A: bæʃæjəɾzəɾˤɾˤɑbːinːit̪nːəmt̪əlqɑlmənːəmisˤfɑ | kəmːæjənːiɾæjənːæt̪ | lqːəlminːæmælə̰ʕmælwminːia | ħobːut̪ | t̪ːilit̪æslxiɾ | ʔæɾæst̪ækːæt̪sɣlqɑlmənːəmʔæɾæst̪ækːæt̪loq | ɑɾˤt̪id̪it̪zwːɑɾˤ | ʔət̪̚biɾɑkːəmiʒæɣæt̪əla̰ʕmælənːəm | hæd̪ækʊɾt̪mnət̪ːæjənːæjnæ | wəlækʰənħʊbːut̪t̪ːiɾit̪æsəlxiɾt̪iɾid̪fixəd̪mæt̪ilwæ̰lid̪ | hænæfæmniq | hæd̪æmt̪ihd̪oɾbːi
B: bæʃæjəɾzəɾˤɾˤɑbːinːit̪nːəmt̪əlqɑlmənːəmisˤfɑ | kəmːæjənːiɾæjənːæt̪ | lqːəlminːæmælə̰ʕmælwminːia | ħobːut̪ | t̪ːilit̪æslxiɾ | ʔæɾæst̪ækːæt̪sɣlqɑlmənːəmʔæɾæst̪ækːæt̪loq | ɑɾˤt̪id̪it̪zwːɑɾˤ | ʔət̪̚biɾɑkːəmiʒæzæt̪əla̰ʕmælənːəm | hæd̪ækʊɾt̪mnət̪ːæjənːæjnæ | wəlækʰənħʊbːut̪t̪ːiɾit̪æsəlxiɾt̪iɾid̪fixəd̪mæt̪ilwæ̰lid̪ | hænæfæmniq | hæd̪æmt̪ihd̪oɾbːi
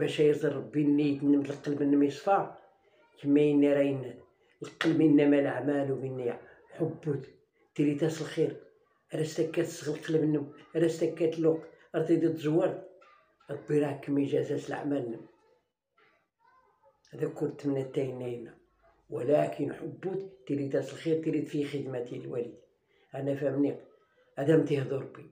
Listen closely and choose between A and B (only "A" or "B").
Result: B